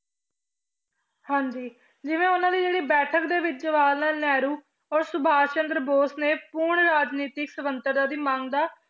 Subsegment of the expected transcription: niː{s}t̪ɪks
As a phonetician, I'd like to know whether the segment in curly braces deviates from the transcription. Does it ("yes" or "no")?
yes